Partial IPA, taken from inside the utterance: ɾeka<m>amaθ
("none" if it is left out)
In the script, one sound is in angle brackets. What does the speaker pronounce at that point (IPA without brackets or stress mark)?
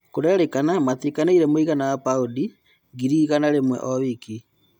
n